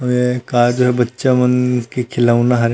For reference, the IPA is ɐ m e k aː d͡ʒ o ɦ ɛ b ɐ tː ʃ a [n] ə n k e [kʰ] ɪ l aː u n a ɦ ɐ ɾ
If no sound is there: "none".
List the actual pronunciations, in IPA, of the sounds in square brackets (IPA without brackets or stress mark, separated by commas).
m, kʰ